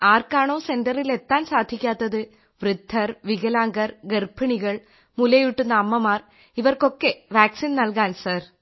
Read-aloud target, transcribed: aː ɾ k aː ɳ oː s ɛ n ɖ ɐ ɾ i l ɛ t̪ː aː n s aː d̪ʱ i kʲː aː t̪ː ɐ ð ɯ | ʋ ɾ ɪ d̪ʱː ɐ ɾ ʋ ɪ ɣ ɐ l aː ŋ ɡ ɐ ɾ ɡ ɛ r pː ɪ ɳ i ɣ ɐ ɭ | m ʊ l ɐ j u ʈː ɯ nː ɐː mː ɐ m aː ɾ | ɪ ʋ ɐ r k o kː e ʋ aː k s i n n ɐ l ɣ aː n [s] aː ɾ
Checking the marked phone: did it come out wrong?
no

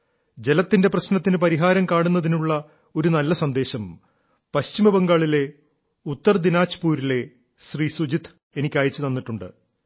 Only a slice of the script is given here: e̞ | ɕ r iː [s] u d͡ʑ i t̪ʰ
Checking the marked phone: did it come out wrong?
no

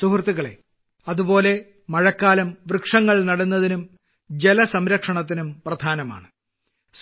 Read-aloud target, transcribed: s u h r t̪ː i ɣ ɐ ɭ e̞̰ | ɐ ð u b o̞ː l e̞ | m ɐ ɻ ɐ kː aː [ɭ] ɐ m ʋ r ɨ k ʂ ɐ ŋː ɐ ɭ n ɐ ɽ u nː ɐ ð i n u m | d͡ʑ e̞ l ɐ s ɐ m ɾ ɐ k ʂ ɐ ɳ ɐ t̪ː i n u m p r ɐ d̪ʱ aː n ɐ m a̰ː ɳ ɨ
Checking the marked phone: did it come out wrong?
yes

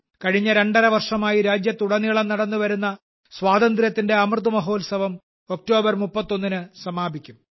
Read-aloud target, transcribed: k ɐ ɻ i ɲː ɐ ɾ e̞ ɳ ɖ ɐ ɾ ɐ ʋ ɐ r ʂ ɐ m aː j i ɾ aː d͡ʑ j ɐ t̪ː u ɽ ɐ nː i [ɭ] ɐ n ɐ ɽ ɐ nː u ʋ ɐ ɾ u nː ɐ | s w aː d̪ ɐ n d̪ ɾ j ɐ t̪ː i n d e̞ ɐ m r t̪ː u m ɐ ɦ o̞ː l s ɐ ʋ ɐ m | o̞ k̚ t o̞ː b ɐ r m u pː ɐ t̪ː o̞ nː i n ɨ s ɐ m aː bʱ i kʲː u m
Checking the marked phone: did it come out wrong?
no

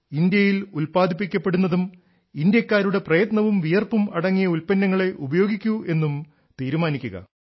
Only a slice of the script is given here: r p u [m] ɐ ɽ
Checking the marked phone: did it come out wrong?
no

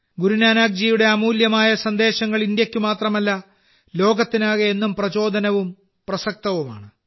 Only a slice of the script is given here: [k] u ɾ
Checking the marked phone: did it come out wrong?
yes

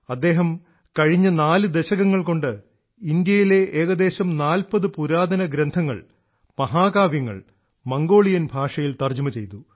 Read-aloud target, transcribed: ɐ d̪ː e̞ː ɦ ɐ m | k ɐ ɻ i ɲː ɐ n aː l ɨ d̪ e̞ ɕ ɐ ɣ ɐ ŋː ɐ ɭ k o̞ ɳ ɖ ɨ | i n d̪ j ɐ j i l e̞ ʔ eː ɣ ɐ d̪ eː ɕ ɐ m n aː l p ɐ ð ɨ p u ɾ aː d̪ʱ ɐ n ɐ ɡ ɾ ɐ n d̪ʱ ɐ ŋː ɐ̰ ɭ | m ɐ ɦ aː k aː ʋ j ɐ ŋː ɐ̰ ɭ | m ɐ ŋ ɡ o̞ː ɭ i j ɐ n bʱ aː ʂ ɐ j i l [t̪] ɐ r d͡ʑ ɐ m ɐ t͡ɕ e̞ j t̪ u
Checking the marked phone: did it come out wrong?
no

